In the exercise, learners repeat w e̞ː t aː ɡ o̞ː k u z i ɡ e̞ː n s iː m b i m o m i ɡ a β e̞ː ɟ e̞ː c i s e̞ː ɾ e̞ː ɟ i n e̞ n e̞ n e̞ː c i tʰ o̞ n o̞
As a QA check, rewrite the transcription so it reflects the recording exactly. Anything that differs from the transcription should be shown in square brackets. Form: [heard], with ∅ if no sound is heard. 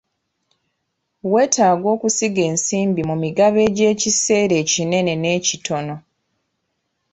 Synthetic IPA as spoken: w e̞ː t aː ɡ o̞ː k u [s] i ɡ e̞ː n s iː m b i m [u] m i ɡ a β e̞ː ɟ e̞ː c i s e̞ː ɾ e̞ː [c] i n e̞ n e̞ n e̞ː c i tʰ o̞ n o̞